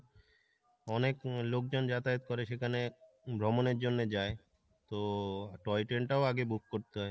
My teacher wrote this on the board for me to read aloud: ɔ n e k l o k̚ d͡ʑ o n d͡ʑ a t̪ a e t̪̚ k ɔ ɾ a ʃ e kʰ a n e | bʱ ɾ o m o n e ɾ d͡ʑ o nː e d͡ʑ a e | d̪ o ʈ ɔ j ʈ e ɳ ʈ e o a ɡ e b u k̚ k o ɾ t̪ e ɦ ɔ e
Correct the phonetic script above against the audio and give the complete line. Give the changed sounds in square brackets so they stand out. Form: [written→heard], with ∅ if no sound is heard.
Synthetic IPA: ɔ n e k l o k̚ d͡ʑ o n d͡ʑ a t̪ a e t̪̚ k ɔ ɾ [a→e] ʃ e kʰ a n e | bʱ ɾ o m o n e ɾ d͡ʑ o nː e d͡ʑ a e | [d̪→t̪] o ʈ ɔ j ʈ e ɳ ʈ [e→a] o a ɡ e b u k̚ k o ɾ t̪ e ɦ ɔ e